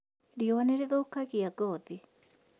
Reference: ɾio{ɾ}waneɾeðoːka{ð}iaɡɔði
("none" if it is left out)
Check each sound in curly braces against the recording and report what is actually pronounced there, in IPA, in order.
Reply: none, ɣ

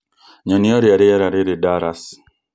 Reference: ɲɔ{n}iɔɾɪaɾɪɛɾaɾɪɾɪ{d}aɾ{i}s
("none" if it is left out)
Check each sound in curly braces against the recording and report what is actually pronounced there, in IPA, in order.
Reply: n, d, a

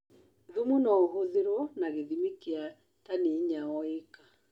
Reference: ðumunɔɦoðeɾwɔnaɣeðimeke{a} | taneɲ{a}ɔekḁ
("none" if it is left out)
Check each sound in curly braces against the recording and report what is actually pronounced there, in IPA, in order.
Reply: a, a

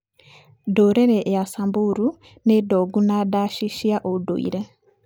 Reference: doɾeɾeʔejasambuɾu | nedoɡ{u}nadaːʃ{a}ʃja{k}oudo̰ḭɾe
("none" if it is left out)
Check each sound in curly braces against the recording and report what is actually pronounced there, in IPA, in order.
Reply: u, i, ʔ

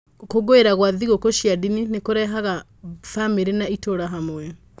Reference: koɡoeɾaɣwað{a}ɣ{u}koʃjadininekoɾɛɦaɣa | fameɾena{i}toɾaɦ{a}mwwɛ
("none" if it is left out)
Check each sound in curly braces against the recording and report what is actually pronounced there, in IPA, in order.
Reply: i, o, i, a

